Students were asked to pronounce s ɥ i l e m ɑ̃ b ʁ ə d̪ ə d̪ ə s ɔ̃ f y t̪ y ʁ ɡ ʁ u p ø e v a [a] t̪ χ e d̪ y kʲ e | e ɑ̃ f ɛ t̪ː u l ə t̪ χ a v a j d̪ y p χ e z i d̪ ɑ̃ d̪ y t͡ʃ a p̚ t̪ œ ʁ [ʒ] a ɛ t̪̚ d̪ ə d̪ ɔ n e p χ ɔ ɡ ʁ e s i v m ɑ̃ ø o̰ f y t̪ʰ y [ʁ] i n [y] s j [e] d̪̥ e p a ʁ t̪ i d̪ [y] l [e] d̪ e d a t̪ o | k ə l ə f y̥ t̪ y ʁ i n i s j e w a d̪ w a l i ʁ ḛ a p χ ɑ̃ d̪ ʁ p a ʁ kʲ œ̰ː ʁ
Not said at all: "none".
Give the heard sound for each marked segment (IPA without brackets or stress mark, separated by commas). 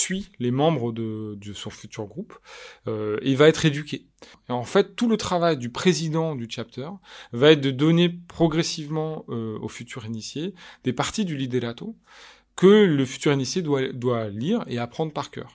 ɛ, v, ʁ, i, e, y, i